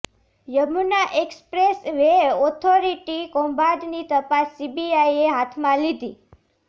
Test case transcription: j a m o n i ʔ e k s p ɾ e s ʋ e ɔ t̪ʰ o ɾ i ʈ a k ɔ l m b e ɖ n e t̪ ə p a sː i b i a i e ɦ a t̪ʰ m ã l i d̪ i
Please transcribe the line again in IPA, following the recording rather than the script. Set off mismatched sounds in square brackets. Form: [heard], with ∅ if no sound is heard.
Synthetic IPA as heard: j [ə] m [u] n [a] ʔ e k s p ɾ e s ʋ e ɔ t̪ʰ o ɾ i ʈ [i] k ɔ [∅] m b [a] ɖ n [i] t̪ ə p a sː i b i a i e ɦ a t̪ʰ m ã l i d̪ i